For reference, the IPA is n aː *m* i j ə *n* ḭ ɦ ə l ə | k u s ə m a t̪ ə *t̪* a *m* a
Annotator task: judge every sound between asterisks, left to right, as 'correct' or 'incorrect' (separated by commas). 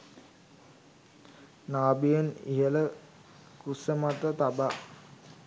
incorrect, correct, correct, incorrect